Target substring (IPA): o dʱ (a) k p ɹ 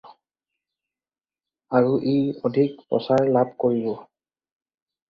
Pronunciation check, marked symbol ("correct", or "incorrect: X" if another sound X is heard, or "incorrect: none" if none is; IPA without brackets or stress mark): incorrect: i